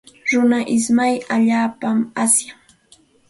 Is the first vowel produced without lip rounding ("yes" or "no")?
no